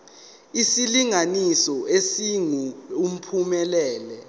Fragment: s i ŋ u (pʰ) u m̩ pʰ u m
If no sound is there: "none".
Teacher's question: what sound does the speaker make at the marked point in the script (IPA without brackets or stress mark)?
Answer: none